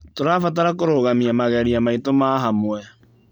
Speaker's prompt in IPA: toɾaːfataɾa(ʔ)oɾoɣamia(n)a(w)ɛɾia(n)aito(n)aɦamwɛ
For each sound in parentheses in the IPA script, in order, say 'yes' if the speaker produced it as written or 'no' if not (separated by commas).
no, no, no, no, no